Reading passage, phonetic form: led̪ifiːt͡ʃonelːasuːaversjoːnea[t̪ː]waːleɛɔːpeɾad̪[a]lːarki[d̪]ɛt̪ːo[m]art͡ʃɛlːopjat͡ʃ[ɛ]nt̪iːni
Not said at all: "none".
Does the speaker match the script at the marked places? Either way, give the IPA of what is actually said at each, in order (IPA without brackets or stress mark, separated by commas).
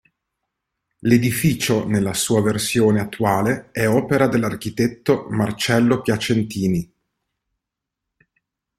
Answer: t̪ː, e, t̪, m, e